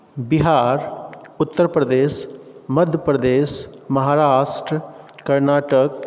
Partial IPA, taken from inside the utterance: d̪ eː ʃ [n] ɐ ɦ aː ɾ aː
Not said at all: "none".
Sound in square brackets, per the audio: m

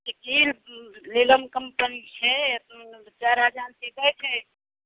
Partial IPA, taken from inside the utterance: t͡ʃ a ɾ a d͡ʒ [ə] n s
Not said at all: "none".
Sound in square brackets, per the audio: a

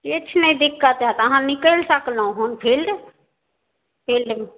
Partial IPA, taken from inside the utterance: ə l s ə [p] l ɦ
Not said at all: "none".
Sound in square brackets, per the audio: k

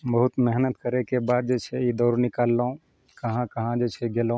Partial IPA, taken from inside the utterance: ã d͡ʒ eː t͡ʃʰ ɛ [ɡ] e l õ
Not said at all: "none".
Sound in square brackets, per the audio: ɡ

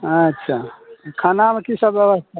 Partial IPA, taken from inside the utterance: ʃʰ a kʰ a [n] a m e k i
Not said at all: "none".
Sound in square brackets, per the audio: n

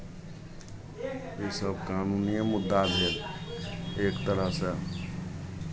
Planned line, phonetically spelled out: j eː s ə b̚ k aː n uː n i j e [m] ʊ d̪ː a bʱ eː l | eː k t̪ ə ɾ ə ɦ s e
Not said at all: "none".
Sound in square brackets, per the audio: m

